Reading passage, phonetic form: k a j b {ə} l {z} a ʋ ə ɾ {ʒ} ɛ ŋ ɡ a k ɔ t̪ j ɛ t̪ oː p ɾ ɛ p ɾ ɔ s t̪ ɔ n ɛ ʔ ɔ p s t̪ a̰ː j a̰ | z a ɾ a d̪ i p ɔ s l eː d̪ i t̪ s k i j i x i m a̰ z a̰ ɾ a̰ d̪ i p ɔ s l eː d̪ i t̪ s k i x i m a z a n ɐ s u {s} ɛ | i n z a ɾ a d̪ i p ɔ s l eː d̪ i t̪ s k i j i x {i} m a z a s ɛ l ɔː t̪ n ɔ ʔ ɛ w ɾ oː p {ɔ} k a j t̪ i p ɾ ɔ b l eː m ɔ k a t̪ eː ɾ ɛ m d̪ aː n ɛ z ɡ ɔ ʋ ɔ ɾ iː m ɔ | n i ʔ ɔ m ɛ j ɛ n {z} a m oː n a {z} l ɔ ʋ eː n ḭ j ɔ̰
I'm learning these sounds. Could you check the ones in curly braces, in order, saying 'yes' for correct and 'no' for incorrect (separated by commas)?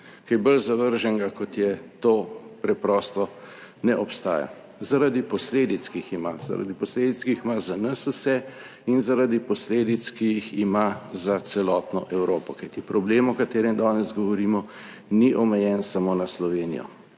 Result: yes, yes, yes, yes, yes, yes, no, no